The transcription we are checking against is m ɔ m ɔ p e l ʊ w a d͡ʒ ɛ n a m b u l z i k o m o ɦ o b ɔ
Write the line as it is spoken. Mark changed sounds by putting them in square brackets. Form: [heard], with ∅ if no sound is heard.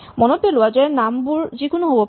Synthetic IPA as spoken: m ɔ [n] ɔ p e l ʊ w a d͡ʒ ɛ n a m b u [ɹ] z i k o [n] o ɦ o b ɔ